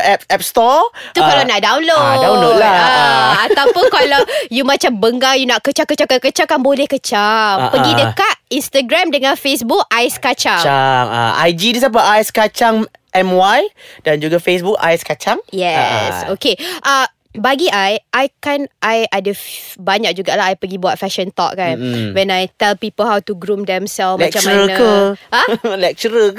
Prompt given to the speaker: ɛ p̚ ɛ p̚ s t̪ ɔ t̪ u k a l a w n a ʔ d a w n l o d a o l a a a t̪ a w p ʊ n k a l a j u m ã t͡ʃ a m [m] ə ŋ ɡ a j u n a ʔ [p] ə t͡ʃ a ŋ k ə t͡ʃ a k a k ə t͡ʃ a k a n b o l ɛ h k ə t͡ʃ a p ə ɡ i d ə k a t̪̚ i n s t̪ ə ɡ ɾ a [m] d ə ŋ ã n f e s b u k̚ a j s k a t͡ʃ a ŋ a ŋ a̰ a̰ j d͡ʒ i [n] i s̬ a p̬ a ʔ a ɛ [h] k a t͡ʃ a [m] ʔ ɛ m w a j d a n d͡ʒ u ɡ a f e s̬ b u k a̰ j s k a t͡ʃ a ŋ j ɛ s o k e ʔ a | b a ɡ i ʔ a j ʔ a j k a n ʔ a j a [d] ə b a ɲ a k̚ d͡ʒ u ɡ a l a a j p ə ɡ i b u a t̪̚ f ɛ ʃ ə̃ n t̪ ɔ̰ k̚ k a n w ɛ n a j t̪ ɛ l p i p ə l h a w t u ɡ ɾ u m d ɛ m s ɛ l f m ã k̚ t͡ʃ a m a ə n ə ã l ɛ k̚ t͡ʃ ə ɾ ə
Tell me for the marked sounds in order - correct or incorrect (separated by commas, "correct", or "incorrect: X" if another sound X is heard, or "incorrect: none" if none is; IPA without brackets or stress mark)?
incorrect: b, incorrect: k, correct, incorrect: d, incorrect: s, incorrect: ŋ, correct